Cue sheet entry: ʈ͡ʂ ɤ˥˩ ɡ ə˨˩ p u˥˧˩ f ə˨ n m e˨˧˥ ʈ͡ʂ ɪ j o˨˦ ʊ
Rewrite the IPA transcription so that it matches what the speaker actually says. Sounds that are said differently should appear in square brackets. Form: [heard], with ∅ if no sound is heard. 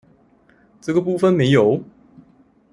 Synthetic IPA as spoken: ʈ͡ʂ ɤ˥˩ ɡ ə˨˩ p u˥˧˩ f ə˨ n m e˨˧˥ [∅] ɪ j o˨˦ ʊ